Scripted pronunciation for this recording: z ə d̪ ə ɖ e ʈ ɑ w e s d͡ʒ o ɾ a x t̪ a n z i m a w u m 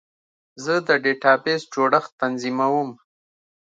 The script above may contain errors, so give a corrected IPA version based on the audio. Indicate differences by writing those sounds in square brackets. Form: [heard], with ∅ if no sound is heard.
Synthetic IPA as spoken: z ə d̪ ə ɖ e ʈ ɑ [b] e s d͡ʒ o [ɽ] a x t̪ a n z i m a w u m

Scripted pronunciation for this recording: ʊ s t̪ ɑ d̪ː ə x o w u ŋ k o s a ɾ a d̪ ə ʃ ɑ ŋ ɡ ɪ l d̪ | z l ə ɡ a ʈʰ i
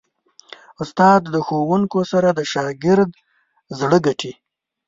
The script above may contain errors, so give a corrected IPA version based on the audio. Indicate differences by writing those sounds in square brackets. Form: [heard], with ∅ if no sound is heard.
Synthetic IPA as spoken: ʊ s t̪ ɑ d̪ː ə x o w u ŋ k o s a ɾ a d̪ ə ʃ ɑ [∅] ɡ ɪ [ɾ] d̪ | z [ɽ] ə ɡ a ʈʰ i

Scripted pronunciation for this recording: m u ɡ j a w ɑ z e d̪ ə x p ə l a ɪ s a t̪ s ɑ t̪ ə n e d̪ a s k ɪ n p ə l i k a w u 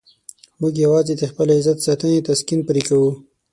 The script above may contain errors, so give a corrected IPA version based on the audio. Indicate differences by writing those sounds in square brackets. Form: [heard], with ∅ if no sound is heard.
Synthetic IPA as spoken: m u ɡ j a w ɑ z e d̪ ə x p ə l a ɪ [z] a t̪ s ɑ t̪ ə n e [t̪] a s k [i] n p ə [ɾ] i k a w u

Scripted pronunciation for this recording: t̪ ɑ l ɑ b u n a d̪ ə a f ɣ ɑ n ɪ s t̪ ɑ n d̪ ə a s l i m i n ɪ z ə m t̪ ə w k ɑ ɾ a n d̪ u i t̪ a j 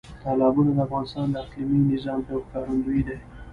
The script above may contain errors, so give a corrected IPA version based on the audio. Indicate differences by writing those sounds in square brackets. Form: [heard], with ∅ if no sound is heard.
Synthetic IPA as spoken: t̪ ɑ l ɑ b u n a d̪ ə a f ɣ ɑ n ɪ s t̪ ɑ n d̪ ə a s l i m i n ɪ z [ɑ] m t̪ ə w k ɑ ɾ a n d̪ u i [d̪] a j

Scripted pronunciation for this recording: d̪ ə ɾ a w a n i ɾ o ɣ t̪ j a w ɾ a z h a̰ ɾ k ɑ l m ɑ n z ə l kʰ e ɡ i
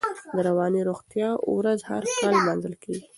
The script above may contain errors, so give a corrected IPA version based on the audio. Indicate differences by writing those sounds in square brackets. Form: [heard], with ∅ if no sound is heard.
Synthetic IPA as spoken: d̪ ə ɾ a w [ɑ] n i ɾ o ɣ t̪ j [ɑ] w ɾ a z h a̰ ɾ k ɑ l m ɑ n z ə l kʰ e ɡ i

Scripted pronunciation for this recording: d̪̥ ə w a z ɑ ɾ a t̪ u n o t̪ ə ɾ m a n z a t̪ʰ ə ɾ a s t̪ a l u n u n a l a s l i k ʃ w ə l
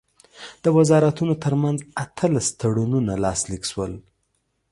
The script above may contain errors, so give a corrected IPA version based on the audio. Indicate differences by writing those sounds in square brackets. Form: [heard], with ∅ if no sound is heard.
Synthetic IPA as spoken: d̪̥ ə w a z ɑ ɾ a t̪ u n o t̪ ə ɾ m a n z a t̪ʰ ə [l] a s t̪ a [ɽ] u n u n a l [ɑ] s l i k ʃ w ə l

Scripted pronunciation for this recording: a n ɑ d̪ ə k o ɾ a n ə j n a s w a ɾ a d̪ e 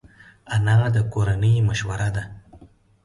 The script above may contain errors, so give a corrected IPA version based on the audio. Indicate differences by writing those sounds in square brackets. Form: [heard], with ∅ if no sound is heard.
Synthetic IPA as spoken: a n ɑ d̪ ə k o ɾ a n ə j [m] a [ʃ] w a ɾ a d̪ [a]

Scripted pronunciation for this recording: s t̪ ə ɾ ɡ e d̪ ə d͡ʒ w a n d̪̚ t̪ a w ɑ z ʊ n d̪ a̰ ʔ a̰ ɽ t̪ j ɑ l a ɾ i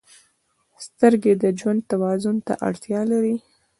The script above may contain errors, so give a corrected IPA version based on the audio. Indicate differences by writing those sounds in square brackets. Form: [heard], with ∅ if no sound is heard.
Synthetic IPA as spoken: s t̪ ə ɾ ɡ e d̪ ə d͡ʒ w a n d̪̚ t̪ a w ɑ z ʊ n [t̪] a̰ ʔ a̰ ɽ t̪ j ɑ l a ɾ i

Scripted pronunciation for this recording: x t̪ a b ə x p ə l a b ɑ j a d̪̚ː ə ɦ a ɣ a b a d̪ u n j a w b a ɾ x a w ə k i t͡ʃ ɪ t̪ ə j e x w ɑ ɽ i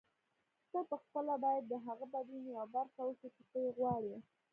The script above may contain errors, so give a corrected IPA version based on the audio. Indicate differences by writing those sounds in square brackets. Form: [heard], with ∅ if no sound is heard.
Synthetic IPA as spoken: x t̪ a [p] ə x p ə l a b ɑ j a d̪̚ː ə ɦ a ɣ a b a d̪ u n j a w b a ɾ x a w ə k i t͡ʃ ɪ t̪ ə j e [ɣ] w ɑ ɽ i

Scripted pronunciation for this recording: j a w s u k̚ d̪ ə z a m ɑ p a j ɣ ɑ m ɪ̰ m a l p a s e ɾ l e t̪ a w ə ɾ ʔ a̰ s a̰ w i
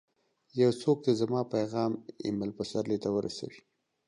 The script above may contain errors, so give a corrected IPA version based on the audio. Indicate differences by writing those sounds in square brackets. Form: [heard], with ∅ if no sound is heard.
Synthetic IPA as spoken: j a w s [o] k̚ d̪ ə z a m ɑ p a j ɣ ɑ m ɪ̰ m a l p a s [a] ɾ l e t̪ a w ə ɾ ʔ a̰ s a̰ w i

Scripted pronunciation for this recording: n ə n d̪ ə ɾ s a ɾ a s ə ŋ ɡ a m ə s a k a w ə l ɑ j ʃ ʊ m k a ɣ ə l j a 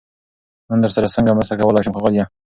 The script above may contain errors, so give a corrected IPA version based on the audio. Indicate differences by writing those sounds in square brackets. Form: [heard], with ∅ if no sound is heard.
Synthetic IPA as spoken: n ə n d̪ ə ɾ s a ɾ a s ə ŋ ɡ a m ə s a k a w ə l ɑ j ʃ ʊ m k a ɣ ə l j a

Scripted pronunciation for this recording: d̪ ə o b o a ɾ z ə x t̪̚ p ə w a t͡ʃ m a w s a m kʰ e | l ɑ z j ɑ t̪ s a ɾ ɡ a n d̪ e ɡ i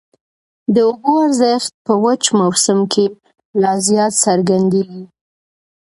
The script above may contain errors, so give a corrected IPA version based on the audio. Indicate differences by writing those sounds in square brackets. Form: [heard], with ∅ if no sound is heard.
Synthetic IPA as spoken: d̪ ə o b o a ɾ z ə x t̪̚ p ə w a t͡ʃ m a w s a m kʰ e | l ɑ z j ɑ t̪ s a ɾ ɡ a n d̪ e ɡ i

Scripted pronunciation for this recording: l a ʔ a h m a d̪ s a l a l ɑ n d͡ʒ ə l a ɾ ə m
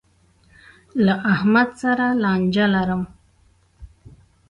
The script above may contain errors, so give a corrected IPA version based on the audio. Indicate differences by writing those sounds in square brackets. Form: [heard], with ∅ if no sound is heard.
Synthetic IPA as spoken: l a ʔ a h m a d̪ s a [ɾ] a l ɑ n d͡ʒ [a] l a ɾ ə m

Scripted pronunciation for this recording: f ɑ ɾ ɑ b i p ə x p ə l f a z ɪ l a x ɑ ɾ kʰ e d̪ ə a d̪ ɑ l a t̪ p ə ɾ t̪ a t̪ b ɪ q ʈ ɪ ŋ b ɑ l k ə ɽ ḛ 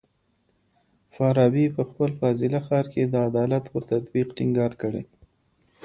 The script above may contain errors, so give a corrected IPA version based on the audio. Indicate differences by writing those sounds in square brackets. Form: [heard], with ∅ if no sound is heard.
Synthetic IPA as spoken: f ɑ ɾ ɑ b i p ə x p ə l f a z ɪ l a x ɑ ɾ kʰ e d̪ ə a d̪ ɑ l a t̪ p ə ɾ t̪ a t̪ b [i] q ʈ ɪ ŋ [ɡ] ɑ [ɾ] k ə ɽ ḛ

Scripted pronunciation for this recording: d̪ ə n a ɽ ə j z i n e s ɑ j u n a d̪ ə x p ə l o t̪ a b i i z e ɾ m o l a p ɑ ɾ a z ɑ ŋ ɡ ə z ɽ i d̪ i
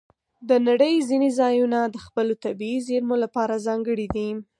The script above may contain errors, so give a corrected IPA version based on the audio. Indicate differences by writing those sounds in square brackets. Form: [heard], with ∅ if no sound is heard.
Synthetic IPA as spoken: d̪ ə n a ɽ ə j z i n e [z] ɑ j u n a d̪ ə x p ə l o t̪ a b i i z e ɾ m o l a p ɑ ɾ a z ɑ ŋ ɡ ə [∅] ɽ i d̪ i

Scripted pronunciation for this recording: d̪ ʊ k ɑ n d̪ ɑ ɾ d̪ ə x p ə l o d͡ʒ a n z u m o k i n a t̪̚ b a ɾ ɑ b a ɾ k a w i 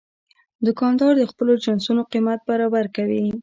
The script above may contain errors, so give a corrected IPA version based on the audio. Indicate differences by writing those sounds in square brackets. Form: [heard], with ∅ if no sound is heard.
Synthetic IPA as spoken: d̪ ʊ k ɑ n d̪ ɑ ɾ d̪ ə x p ə l o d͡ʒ a n [s] u [n] o [q] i [m] a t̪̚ b a ɾ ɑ b a ɾ k a w i

